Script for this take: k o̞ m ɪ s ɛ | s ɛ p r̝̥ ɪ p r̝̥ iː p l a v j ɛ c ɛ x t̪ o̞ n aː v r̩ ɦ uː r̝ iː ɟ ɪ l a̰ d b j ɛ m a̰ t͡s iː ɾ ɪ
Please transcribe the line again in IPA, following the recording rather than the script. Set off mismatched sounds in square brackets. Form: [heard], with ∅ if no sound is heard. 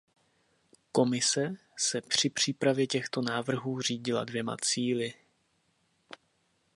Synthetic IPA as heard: k o̞ m ɪ s ɛ | s ɛ p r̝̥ ɪ p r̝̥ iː p [ɾ] a v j ɛ c ɛ x t̪ o̞ n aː v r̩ ɦ uː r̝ iː ɟ ɪ l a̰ d [v] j ɛ m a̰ t͡s iː [l] ɪ